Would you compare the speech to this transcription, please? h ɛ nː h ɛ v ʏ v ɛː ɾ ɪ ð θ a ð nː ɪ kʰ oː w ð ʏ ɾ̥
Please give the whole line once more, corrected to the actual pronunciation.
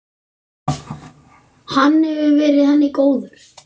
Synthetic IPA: h a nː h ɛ v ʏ v ɛː ɾ ɪ ð h a nː ɪ k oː w ð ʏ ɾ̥